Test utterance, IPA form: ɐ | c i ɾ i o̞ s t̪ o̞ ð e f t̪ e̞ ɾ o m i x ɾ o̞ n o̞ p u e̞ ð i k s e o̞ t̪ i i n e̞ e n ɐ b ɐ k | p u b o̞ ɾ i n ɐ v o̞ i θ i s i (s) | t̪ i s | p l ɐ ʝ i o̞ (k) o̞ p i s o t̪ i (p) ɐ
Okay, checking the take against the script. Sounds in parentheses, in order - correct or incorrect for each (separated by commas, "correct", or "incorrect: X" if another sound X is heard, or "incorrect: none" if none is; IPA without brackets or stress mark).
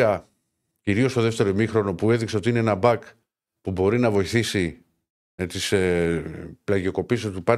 incorrect: none, correct, correct